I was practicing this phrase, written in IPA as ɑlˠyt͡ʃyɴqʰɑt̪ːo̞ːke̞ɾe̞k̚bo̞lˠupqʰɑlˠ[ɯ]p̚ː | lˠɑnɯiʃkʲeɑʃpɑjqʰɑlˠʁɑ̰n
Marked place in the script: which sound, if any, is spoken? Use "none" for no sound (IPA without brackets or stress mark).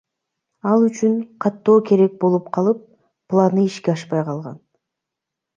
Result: ɯ